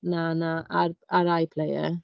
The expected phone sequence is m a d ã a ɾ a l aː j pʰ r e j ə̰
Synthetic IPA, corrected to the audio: n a n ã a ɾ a ɾ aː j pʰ l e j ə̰